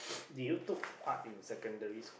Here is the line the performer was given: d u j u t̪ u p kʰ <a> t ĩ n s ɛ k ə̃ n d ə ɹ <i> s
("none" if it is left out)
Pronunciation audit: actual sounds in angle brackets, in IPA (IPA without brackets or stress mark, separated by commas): a, i